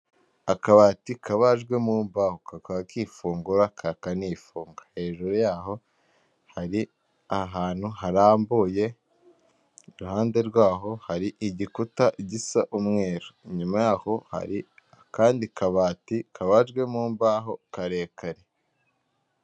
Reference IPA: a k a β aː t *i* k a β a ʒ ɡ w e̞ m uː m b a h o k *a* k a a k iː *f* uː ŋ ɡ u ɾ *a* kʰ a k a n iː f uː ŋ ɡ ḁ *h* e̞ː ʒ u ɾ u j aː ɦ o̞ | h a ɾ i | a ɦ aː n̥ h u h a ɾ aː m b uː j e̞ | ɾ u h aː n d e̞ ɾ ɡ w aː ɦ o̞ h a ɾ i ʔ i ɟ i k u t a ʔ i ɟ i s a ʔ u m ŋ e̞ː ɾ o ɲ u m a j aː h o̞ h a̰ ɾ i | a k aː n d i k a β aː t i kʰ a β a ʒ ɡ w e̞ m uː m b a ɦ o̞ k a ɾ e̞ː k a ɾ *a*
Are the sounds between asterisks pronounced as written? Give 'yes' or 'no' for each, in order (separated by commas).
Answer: yes, yes, yes, yes, yes, no